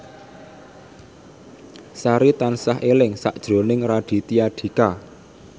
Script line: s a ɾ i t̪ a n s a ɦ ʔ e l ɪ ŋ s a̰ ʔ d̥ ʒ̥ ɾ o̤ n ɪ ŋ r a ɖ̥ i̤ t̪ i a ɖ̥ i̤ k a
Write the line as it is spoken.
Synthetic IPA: s a ɾ i t̪ a n s a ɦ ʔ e l ɪ ŋ s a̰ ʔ d̥ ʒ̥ ɾ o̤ n ɪ ŋ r a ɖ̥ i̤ t̪ i a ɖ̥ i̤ k a

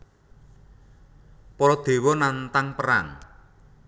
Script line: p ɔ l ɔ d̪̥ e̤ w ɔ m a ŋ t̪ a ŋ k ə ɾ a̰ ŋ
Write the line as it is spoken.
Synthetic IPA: p ɔ ɾ ɔ d̪̥ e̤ w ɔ n a n t̪ a ŋ p ə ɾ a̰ ŋ

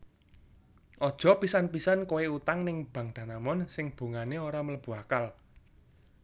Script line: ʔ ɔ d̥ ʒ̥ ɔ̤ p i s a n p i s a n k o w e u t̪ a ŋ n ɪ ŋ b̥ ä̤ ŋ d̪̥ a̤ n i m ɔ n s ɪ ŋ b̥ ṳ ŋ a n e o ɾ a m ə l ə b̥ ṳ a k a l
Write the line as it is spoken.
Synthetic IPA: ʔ ɔ d̥ ʒ̥ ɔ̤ p i s a n p i s a n k o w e u t̪ a ŋ n ɪ ŋ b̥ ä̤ ŋ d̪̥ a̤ n a m ɔ n s ɪ ŋ b̥ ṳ ŋ a n e o ɾ a m ə l ə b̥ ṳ a k a l

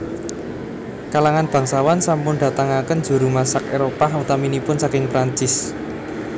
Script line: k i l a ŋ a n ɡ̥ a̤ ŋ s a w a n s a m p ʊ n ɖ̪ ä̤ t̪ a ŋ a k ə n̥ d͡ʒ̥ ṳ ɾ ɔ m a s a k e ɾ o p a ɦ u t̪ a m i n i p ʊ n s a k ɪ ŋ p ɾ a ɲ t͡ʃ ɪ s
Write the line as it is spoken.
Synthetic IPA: k a l a ŋ a n b̥ a̤ ŋ s a w a n s a m p ʊ n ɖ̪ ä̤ t̪ a ŋ a k ə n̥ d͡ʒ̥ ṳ ɾ u m a s a k e ɾ o p a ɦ u t̪ a m i n i p ʊ n s a k ɪ ŋ p ɾ a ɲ t͡ʃ ɪ s

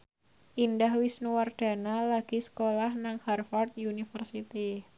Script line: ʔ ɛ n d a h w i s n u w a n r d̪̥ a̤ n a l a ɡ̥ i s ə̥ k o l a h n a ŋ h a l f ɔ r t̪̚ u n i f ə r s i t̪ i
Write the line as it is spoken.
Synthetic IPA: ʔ i n d a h w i s n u w a r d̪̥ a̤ n a l a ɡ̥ i s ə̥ k o l a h n a ŋ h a r f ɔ r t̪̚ u n i f ə r s i t̪ i

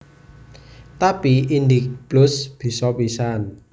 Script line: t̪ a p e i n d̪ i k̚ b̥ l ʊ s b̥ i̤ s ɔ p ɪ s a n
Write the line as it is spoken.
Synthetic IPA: t̪ a p i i n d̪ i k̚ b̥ l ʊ s b̥ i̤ s ɔ p i s a n

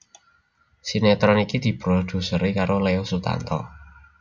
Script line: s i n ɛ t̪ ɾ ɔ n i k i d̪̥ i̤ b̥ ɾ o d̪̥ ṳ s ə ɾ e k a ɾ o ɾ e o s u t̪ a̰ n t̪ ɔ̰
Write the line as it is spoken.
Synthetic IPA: s i n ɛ t̪ ɾ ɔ n i k i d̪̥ i̤ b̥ ɾ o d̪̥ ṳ s ə ɾ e k a ɾ o l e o s u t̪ a̰ n t̪ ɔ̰

